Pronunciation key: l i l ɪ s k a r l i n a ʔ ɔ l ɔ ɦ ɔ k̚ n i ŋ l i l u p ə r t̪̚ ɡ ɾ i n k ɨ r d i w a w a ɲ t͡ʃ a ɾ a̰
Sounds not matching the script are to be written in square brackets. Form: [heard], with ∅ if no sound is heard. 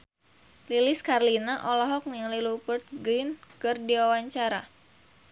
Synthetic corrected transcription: l i l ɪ s k a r l i n a ʔ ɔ l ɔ ɦ ɔ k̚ n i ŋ l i l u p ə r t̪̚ ɡ ɾ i n k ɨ r d i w a w a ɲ t͡ʃ a ɾ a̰

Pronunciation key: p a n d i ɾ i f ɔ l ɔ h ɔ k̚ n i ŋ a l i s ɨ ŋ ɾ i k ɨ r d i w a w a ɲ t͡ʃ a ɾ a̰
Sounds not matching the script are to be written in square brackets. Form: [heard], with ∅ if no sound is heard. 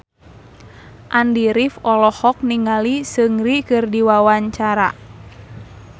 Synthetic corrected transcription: [ʔ] a n d i ɾ i f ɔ l ɔ h ɔ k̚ n i ŋ a l i s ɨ ŋ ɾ i k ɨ r d i w a w a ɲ t͡ʃ a ɾ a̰

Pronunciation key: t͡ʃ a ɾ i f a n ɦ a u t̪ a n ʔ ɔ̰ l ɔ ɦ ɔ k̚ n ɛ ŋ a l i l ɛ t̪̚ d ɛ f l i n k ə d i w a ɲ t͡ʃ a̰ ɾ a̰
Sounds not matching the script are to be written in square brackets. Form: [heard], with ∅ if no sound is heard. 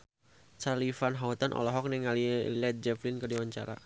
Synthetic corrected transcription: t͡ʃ a [l] i f a n ɦ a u t̪ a n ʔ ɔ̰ l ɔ ɦ ɔ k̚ n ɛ ŋ a l i l ɛ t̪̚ [d͡ʒ] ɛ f l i n k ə d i w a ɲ t͡ʃ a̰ ɾ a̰

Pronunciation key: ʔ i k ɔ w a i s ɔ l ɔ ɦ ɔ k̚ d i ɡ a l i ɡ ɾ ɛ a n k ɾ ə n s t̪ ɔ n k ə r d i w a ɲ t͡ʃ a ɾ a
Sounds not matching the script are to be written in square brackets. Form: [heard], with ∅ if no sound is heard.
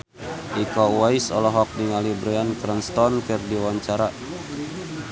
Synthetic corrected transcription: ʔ i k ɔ w a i s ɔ l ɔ ɦ ɔ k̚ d i [ŋ] a l i [b] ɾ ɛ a n k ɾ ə n s t̪ ɔ n k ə r d i w a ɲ t͡ʃ a ɾ a

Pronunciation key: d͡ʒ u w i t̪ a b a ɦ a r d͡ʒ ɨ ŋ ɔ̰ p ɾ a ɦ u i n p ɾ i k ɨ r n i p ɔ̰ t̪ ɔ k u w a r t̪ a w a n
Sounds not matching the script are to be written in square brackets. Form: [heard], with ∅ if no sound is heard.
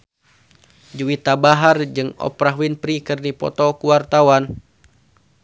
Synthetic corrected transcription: d͡ʒ u w i t̪ a b a ɦ a r d͡ʒ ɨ ŋ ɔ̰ p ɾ a ɦ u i n p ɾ i k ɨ r n i p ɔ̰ t̪ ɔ k u w a r t̪ a w a n

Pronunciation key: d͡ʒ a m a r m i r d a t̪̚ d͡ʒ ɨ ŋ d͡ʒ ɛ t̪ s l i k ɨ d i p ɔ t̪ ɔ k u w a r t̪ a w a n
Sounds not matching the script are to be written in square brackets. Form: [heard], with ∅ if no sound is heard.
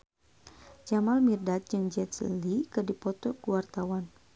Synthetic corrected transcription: d͡ʒ a m a [l] m i r d a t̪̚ d͡ʒ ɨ ŋ d͡ʒ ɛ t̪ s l i k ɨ d i p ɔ t̪ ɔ k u w a r t̪ a w a n

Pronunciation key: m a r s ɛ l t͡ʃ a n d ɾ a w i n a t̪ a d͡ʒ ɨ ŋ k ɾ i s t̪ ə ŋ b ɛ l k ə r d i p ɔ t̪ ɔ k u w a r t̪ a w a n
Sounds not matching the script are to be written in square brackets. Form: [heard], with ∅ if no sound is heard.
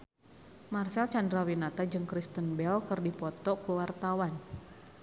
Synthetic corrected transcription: m a r s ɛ l t͡ʃ a n d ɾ a w i n a t̪ a d͡ʒ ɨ ŋ k ɾ i s t̪ ə [n] b ɛ l k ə r d i p ɔ t̪ ɔ k u w a r t̪ a w a n

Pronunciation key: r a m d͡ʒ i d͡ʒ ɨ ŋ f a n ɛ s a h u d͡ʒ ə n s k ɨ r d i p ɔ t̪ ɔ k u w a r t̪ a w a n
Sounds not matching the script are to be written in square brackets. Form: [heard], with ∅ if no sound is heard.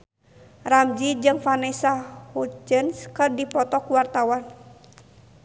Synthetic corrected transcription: r a m d͡ʒ i d͡ʒ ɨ ŋ f a n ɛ s a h u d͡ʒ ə n s k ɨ r d i p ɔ t̪ ɔ k u w a r t̪ a w a n

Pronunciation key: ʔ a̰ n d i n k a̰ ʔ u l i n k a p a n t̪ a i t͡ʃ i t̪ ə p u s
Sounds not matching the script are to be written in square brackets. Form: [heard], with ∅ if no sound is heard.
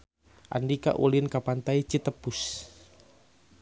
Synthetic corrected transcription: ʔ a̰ n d i [∅] k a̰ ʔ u l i n k a p a n t̪ a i t͡ʃ i t̪ ə p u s

